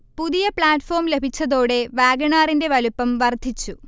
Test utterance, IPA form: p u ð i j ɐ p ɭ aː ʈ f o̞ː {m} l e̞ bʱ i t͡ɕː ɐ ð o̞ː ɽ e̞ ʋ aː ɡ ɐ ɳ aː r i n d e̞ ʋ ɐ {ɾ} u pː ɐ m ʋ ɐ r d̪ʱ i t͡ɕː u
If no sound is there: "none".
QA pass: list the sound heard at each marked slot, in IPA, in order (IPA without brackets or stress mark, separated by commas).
m, l